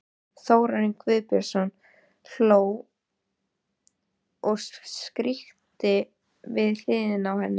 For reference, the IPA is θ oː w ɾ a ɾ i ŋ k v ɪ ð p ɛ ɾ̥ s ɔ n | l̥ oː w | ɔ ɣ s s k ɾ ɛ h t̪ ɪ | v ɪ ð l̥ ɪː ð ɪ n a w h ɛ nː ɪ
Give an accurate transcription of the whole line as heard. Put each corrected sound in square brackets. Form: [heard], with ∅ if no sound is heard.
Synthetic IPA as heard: θ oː w ɾ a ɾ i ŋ k v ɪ ð p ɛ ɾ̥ s ɔ n | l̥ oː w | ɔ ɣ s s k ɾ [i] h t̪ ɪ | v ɪ ð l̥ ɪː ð ɪ n a w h ɛ nː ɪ